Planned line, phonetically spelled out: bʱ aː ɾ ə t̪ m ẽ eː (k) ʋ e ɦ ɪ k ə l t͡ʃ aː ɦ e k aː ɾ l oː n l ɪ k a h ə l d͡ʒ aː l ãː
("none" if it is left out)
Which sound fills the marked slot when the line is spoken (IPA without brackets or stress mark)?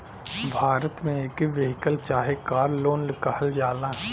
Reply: k